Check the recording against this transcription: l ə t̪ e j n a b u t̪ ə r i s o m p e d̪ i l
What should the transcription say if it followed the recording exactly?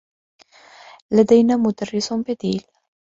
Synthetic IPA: l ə d̪ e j n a m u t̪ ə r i s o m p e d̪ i l